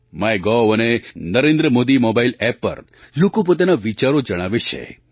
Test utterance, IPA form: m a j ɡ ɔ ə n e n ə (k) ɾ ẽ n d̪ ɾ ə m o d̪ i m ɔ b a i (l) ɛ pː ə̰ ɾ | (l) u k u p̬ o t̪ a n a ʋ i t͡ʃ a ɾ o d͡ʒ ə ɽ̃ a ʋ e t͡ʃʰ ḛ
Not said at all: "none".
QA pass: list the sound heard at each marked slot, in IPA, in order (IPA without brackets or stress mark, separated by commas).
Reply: none, l, l